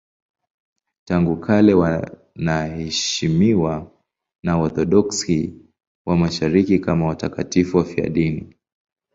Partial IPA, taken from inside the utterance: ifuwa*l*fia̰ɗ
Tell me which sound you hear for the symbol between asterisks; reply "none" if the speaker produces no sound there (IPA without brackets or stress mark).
none